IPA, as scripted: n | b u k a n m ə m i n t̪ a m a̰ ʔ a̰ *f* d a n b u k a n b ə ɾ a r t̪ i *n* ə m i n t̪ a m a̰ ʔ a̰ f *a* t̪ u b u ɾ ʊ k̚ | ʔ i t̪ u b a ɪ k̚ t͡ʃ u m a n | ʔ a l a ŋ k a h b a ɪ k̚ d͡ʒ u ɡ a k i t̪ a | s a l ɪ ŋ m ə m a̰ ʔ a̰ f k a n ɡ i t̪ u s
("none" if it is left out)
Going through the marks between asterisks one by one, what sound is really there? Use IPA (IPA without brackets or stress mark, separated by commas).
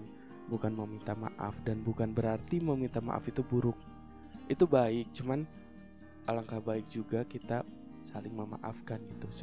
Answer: f, m, i